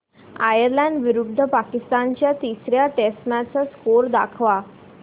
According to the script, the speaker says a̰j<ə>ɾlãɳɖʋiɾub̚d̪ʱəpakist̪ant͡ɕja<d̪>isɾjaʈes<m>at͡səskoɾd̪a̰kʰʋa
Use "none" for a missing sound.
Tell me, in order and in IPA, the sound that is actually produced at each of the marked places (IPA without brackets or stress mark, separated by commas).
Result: ə, t̪, m